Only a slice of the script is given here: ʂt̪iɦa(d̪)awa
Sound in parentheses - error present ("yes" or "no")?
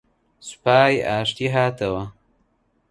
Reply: yes